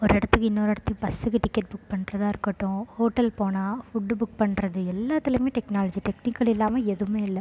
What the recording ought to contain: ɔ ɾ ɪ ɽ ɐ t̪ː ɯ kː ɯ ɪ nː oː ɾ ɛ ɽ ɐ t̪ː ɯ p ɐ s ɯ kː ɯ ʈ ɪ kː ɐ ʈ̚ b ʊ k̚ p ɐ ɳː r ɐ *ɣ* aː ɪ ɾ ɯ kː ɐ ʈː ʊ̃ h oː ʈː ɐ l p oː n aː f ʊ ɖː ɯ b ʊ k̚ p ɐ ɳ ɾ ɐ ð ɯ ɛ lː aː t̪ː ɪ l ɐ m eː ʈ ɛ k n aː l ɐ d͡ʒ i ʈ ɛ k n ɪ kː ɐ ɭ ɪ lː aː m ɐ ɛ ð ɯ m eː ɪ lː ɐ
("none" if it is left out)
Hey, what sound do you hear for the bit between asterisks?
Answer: ð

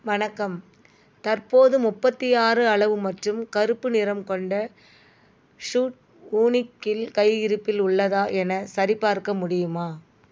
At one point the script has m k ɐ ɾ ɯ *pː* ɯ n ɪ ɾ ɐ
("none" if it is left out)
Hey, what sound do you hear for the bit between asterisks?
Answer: pː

